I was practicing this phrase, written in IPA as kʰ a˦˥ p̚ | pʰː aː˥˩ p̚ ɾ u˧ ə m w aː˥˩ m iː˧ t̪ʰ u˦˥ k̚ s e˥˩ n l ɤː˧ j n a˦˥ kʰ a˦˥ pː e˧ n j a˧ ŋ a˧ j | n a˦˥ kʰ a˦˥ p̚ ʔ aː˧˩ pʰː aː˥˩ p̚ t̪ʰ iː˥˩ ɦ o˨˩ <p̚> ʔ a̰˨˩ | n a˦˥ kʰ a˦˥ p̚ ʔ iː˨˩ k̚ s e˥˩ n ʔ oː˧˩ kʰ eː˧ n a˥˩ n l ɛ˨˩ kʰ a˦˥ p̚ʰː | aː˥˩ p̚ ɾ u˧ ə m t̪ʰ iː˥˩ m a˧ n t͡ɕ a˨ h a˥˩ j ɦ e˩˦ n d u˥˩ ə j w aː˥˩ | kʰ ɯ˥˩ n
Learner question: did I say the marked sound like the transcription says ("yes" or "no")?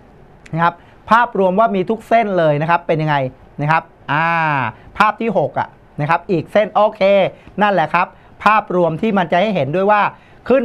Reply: no